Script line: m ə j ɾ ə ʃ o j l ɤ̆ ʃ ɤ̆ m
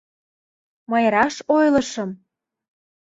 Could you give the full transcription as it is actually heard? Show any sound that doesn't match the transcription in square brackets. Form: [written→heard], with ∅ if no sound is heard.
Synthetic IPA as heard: m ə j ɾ [ə→ɑ] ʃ o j l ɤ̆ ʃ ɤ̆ m